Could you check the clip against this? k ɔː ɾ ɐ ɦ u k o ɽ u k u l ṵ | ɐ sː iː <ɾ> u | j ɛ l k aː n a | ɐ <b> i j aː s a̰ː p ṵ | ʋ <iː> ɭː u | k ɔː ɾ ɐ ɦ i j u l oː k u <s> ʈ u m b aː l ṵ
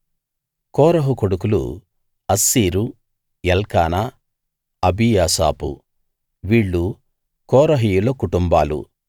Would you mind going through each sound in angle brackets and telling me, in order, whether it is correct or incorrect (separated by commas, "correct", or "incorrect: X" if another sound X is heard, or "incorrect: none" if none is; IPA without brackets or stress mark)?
correct, correct, correct, incorrect: none